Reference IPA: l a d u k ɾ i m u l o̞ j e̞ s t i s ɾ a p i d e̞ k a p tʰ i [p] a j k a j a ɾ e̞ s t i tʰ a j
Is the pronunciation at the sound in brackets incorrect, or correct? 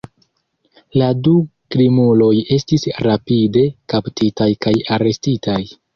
incorrect